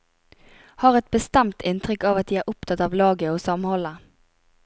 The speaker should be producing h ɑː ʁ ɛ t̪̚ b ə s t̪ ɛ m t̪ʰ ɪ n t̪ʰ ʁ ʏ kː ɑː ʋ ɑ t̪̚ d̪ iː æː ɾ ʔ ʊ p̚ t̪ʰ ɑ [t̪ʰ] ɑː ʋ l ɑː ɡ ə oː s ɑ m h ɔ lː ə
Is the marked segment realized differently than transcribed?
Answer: yes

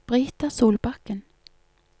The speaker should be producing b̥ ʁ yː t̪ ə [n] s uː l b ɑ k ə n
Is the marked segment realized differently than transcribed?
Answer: yes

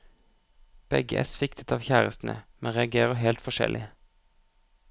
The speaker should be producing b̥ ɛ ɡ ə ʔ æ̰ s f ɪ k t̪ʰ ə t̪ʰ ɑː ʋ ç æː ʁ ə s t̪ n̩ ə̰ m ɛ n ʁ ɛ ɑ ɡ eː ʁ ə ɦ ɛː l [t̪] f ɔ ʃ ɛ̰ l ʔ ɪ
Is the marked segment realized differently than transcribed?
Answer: no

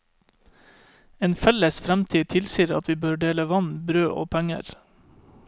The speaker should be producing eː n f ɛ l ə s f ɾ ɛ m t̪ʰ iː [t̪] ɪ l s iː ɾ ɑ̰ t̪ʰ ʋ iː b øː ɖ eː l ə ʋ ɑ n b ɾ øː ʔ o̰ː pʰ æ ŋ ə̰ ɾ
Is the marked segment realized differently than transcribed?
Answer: yes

